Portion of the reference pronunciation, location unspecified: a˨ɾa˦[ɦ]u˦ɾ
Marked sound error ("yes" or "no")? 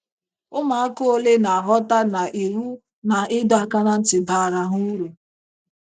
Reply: no